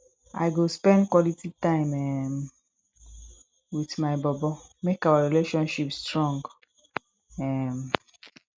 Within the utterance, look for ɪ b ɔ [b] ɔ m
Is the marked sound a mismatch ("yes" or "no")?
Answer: no